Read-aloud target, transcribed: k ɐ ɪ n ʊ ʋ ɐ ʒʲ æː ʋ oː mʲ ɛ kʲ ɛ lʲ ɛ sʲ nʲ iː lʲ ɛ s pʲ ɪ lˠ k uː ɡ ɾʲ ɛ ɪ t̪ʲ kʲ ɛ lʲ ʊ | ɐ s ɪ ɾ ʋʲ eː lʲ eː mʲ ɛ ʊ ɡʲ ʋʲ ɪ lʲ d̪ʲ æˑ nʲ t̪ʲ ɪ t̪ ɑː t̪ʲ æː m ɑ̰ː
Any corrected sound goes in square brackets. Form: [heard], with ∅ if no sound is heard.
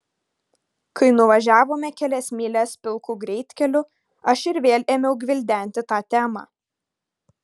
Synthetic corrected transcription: k ɐ ɪ n ʊ ʋ ɐ ʒʲ æː ʋ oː mʲ ɛ kʲ ɛ lʲ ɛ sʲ [mʲ] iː lʲ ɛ s pʲ ɪ lˠ k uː ɡ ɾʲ ɛ ɪ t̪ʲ kʲ ɛ lʲ ʊ | ɐ [ʃ] ɪ ɾ ʋʲ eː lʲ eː mʲ ɛ ʊ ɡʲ ʋʲ ɪ lʲ d̪ʲ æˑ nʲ t̪ʲ ɪ t̪ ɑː t̪ʲ æː m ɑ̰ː

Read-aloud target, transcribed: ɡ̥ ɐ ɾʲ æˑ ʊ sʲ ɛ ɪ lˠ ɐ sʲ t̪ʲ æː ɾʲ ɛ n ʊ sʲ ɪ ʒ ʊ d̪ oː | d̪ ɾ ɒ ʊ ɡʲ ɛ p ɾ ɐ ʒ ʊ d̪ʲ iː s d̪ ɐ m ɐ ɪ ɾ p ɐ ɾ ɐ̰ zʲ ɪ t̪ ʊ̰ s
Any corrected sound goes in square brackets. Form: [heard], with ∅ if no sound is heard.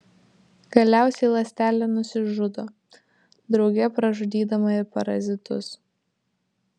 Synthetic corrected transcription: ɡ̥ ɐ [lʲ] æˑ ʊ sʲ ɛ ɪ lˠ ɐ sʲ t̪ʲ æː [lʲ] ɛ n ʊ sʲ ɪ ʒ ʊ d̪ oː | d̪ ɾ ɒ ʊ ɡʲ ɛ p ɾ ɐ ʒ ʊ d̪ʲ iː [∅] d̪ ɐ m ɐ ɪ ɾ p ɐ ɾ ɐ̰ zʲ ɪ t̪ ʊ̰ s

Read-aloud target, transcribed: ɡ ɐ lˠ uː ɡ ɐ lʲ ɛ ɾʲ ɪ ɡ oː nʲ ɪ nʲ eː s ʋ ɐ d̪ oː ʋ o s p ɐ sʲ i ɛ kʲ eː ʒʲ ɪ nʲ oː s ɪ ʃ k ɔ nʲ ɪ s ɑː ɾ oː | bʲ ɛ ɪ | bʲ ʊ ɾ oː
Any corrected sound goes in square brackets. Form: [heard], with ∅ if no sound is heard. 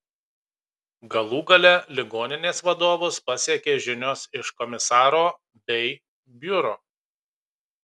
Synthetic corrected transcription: ɡ ɐ lˠ uː ɡ ɐ lʲ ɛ [lʲ] ɪ ɡ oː nʲ ɪ nʲ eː s ʋ ɐ d̪ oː ʋ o s p ɐ sʲ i ɛ kʲ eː ʒʲ ɪ nʲ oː s ɪ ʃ k ɔ [mʲ] ɪ s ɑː ɾ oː | bʲ ɛ ɪ | bʲ ʊ ɾ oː

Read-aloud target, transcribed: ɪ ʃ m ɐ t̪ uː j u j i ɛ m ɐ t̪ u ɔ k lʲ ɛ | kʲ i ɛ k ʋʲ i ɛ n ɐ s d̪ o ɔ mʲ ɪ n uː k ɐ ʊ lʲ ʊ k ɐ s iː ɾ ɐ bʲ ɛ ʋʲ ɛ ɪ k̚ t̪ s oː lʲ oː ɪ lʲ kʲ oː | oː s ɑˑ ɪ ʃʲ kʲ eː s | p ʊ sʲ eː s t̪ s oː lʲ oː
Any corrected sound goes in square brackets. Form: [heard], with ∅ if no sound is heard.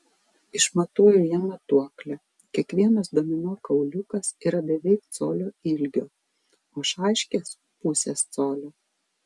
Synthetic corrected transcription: ɪ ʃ m ɐ t̪ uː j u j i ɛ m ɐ t̪ u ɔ k lʲ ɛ | kʲ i ɛ k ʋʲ i ɛ n ɐ s d̪ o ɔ mʲ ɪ n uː k ɐ ʊ lʲ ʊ k ɐ s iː ɾ ɐ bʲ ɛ ʋʲ ɛ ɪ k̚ t̪ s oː lʲ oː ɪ lʲ [ɡʲ] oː | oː [ʃ] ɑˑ ɪ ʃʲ kʲ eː s | p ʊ sʲ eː s t̪ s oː lʲ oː

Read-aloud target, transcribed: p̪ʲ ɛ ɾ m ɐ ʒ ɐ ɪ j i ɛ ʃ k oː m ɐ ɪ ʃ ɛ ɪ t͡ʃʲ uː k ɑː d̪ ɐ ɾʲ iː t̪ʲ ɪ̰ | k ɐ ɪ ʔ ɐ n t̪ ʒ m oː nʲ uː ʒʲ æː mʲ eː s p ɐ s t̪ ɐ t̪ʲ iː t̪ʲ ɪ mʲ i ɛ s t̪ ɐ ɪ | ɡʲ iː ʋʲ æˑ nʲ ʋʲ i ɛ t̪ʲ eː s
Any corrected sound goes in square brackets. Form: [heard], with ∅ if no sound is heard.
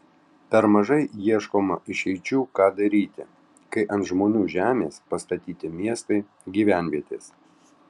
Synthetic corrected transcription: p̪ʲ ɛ ɾ m ɐ ʒ ɐ ɪ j i ɛ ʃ k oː m ɐ ɪ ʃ ɛ ɪ t͡ʃʲ uː k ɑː d̪ ɐ ɾʲ iː t̪ʲ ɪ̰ | k ɐ ɪ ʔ ɐ n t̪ ʒ m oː nʲ uː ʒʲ æː mʲ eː s p ɐ s t̪ ɐ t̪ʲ iː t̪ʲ ɪ mʲ i ɛ s t̪ ɐ ɪ | ɡʲ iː ʋʲ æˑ nʲ ʋʲ i ɛ t̪ʲ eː s

